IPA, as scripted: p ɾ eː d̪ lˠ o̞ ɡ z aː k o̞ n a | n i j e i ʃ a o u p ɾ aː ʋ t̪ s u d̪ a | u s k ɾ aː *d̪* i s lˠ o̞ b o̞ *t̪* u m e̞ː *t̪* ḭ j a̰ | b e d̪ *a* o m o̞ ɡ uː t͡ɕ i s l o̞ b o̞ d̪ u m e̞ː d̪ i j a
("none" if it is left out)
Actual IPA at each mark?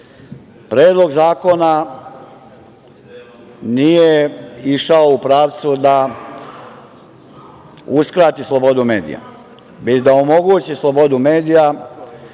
t̪, d̪, d̪, a

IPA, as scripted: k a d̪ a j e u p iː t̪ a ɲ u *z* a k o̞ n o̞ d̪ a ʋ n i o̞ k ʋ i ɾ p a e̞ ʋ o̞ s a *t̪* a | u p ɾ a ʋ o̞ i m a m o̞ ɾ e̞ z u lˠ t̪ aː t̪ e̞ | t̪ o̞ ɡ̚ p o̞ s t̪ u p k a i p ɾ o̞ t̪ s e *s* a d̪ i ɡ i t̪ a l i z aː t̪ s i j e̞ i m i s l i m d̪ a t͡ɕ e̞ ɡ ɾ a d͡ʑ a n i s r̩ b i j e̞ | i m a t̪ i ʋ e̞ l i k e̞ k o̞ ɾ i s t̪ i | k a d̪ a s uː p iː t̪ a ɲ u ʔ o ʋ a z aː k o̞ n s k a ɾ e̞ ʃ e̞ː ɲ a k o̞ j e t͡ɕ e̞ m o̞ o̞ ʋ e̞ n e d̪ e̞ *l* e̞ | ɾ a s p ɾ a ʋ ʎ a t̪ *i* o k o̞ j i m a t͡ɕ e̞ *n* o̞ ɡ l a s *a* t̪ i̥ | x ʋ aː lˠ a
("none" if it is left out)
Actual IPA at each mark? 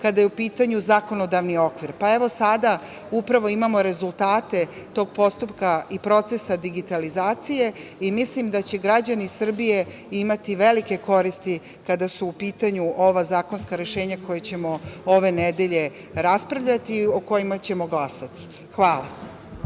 z, d̪, s, ʎ, i, m, a

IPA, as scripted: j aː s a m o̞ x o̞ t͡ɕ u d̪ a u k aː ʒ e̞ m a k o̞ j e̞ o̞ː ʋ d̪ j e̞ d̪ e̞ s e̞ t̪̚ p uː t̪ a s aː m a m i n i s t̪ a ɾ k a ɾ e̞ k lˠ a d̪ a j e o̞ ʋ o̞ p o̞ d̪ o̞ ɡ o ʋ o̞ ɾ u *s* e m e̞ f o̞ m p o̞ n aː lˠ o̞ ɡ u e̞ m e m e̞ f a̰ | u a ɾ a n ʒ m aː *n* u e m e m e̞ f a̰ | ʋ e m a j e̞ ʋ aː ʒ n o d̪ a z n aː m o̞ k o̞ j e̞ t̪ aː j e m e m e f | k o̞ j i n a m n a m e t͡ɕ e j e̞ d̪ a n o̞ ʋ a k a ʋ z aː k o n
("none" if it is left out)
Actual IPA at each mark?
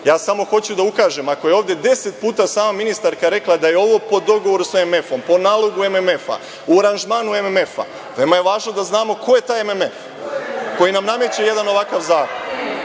s, n

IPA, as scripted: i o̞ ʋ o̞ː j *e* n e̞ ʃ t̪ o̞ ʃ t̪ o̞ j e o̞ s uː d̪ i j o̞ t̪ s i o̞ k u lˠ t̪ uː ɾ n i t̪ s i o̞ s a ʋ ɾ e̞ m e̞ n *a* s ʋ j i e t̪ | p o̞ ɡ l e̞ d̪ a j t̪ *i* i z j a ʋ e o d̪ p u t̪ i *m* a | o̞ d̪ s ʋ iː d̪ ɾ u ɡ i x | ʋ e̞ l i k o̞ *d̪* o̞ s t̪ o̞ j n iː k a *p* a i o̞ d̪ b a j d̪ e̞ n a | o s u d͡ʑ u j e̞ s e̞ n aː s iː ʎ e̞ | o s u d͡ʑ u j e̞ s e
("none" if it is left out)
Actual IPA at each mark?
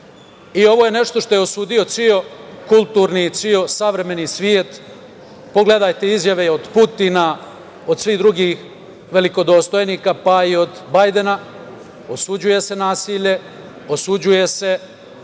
e, i, e, n, d̪, p

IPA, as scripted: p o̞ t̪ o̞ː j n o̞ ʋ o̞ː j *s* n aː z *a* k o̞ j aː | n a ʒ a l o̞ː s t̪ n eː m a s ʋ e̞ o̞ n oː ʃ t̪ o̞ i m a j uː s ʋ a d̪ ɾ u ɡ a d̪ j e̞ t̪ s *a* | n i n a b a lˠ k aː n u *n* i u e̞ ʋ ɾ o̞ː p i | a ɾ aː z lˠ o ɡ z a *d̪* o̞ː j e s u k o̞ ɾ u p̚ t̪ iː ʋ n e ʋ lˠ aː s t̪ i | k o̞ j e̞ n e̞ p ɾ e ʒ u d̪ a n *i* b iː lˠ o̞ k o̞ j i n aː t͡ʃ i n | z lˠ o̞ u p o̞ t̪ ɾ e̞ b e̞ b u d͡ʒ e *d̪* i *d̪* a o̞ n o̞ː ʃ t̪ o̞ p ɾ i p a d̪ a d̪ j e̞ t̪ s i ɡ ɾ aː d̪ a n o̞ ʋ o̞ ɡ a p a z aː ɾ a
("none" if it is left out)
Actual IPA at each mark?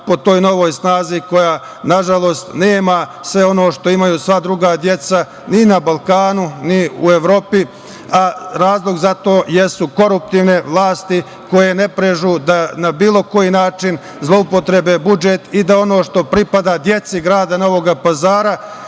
s, i, a, n, t̪, a, t̪, d̪

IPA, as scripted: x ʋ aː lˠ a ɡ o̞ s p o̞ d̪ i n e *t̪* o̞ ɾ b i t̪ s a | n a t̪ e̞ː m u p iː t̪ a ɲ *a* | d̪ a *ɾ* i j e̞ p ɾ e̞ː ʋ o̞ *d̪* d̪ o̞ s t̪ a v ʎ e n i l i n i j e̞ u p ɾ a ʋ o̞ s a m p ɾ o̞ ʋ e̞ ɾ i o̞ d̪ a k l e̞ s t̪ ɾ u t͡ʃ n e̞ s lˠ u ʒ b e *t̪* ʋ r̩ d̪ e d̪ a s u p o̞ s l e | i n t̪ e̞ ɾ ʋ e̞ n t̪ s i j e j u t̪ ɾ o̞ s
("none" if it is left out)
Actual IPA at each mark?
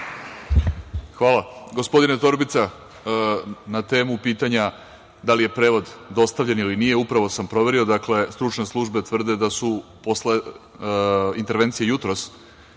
t̪, a, l, d̪, t̪

